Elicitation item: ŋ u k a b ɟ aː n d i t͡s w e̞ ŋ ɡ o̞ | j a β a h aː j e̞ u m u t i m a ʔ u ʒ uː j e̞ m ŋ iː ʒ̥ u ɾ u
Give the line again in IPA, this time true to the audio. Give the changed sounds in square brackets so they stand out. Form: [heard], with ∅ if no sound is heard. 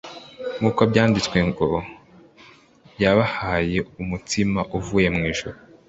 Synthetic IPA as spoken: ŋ u k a b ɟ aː n d i t͡s w e̞ ŋ ɡ o̞ | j a β a h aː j e̞ u m u t i m a ʔ u [v] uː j e̞ m ŋ iː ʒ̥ u ɾ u